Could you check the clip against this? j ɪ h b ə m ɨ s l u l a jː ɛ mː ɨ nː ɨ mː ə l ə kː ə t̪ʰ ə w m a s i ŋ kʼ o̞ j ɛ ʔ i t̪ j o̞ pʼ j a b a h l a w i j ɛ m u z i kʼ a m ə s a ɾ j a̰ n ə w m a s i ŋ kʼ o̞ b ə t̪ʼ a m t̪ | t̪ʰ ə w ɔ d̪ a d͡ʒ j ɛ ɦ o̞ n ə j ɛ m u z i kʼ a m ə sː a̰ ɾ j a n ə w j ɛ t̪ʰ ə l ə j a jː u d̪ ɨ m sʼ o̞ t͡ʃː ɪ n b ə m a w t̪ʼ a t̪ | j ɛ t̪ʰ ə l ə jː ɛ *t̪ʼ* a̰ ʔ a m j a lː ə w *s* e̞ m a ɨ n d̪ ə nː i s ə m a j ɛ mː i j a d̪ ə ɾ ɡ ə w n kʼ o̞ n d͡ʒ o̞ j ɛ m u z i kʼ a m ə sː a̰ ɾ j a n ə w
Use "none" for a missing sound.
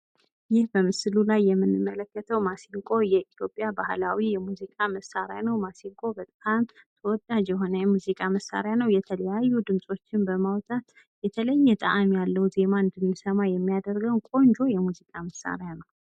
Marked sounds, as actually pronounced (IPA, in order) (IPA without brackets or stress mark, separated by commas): t̪ʼ, z